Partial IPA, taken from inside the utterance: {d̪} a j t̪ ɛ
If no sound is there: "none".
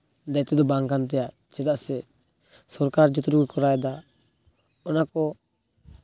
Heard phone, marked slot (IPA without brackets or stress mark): d̪